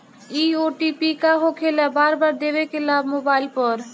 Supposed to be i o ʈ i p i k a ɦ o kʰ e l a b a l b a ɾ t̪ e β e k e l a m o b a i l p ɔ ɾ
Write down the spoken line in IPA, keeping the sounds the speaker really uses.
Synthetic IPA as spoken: i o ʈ i p i k a ɦ o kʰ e l a b a ɾ b a ɾ d̪ e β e k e l a m o b a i l p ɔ ɾ